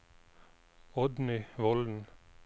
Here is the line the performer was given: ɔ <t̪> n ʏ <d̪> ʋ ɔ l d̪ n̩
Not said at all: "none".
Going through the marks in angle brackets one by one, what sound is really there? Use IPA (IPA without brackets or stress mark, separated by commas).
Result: d̪, none